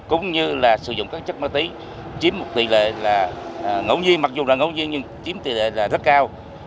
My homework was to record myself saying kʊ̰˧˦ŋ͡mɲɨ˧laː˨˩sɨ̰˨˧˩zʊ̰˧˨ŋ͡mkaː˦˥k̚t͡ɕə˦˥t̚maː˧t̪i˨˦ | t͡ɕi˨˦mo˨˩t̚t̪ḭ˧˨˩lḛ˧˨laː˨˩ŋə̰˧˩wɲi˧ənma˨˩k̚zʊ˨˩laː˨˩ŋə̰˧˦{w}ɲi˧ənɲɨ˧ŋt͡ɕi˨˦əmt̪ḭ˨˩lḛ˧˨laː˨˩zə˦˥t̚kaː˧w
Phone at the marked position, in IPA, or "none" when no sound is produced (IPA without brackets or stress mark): w